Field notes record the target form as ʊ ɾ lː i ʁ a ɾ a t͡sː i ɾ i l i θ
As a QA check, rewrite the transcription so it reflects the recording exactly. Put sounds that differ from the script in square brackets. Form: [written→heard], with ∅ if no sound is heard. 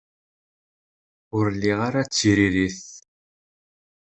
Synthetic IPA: ʊ ɾ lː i ʁ a ɾ a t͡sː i ɾ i [l→ɾ] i θ